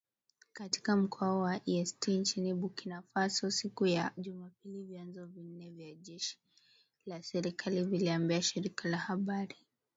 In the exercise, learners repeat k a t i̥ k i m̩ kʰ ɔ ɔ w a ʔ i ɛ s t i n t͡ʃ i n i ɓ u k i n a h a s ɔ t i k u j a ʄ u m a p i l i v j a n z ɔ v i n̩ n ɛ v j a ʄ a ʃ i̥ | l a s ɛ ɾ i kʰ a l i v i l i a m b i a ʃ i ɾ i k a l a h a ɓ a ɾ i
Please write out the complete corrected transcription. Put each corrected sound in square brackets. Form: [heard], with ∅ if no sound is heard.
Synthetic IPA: k a t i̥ k [a] m̩ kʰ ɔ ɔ w a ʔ i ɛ s t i n t͡ʃ i n i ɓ u k i n a [f] a s ɔ [s] i k u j a ʄ u m a p i l i v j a n z ɔ v i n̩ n ɛ v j a ʄ [ɛ] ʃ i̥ | l a s ɛ ɾ i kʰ a l i v i l i a m b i a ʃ i ɾ i k a l a h a ɓ a ɾ i